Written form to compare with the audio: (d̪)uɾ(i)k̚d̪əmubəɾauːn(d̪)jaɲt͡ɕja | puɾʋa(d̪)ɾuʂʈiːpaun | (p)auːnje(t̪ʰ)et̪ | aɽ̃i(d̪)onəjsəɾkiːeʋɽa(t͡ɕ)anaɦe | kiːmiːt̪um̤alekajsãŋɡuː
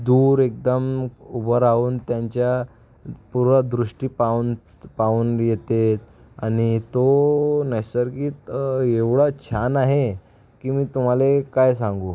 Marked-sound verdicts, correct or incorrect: correct, incorrect, incorrect, correct, correct, incorrect, incorrect, incorrect

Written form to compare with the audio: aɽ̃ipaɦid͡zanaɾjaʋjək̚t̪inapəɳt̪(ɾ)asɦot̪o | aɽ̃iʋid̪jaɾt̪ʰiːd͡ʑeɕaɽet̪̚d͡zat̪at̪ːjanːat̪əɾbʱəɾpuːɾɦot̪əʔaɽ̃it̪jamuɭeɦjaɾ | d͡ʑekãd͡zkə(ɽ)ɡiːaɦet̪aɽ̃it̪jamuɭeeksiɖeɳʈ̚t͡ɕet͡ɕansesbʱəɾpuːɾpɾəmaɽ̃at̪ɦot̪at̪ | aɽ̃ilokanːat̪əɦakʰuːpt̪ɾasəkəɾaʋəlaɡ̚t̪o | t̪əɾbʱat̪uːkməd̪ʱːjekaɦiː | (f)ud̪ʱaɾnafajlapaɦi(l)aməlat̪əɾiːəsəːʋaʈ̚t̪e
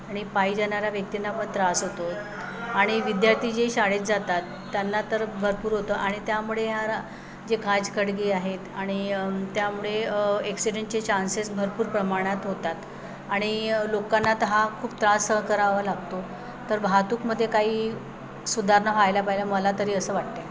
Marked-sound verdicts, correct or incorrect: correct, correct, incorrect, correct

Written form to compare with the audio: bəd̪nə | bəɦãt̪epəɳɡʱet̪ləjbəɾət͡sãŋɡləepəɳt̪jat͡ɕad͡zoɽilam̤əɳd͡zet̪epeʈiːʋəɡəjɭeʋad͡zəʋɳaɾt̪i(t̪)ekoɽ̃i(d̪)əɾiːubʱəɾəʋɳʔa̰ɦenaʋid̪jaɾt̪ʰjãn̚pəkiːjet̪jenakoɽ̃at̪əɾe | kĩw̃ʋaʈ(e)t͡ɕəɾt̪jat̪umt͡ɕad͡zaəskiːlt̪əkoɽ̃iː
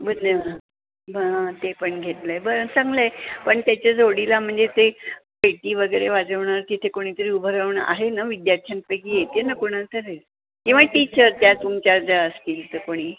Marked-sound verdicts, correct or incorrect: incorrect, incorrect, incorrect

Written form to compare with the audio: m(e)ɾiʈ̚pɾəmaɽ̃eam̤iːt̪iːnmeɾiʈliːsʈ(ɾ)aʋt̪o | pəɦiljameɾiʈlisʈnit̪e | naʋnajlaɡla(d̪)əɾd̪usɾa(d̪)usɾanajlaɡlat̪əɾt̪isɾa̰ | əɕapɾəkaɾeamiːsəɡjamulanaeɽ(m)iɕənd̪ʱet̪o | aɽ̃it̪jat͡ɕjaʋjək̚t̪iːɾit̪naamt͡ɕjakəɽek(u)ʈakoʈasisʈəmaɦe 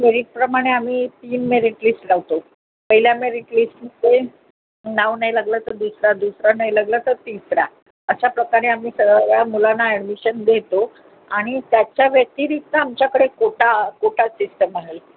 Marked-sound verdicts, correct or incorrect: correct, incorrect, incorrect, correct, correct, incorrect

